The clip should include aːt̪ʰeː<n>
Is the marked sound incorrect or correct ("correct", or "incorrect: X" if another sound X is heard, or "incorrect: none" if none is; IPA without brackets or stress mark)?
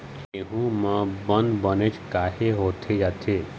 incorrect: none